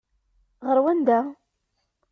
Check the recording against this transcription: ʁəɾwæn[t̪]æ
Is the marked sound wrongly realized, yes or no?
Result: yes